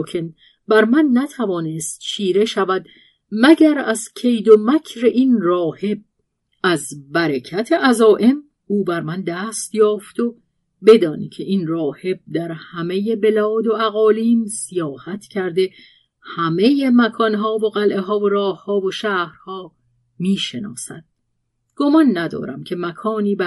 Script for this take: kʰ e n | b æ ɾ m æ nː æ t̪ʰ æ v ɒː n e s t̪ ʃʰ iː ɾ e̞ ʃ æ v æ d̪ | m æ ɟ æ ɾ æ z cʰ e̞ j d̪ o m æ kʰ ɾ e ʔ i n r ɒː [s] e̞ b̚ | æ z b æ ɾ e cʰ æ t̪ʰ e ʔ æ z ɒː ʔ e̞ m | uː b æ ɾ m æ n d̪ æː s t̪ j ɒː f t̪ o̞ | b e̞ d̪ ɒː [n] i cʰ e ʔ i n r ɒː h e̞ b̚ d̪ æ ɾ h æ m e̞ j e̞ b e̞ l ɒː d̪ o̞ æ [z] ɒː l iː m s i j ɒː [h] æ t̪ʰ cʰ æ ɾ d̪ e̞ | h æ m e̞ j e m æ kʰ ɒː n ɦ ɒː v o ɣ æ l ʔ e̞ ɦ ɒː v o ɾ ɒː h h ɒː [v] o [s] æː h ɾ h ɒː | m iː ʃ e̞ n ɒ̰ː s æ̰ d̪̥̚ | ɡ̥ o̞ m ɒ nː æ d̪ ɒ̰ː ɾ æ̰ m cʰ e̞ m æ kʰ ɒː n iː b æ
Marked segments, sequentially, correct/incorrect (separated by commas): incorrect, correct, incorrect, correct, correct, incorrect